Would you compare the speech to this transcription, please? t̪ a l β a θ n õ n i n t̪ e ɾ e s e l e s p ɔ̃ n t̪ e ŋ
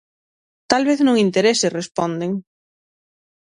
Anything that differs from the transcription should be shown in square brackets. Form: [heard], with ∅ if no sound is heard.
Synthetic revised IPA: t̪ a l β [e] θ n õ [ŋ] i n t̪ e ɾ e s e [r] e s p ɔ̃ n [d̪] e ŋ